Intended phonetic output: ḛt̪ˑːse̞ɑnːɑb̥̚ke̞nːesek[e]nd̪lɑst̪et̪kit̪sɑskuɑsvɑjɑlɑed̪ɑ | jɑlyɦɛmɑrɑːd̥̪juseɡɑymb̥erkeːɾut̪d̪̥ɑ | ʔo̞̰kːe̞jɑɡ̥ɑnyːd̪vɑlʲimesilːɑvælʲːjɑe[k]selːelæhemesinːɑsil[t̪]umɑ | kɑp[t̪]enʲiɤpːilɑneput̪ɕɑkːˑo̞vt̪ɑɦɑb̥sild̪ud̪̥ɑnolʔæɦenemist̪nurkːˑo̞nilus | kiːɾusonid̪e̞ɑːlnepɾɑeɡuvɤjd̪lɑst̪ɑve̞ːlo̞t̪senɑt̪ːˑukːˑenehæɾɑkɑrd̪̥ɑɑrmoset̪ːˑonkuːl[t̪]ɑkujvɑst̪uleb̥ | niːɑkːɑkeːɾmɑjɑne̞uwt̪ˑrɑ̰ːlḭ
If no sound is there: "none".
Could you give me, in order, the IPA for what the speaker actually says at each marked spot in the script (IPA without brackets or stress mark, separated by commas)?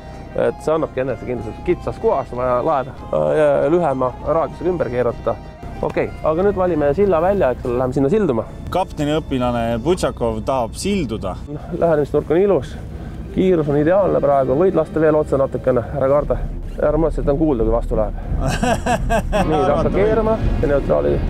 i, k, d̪, t̪, d̪